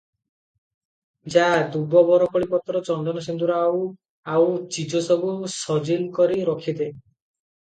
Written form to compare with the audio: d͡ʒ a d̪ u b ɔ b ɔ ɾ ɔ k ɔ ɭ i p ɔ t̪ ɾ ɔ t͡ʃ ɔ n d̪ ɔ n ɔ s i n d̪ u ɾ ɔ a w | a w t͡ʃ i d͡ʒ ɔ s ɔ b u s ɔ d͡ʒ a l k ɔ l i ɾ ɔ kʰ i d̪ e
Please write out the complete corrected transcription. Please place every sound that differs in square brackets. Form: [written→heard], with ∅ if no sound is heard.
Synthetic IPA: d͡ʒ a d̪ u b ɔ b ɔ ɾ ɔ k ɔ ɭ i p ɔ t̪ ɾ ɔ t͡ʃ ɔ n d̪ ɔ n ɔ s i n d̪ u ɾ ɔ a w | a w t͡ʃ i d͡ʒ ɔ s ɔ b u s ɔ d͡ʒ [a→i] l k ɔ [l→ɾ] i ɾ ɔ kʰ i d̪ e